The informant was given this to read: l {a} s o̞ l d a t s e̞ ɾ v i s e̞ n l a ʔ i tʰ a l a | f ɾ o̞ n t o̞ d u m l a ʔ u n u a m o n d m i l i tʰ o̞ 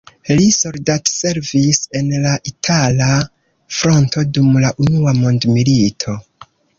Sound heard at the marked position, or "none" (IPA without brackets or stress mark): i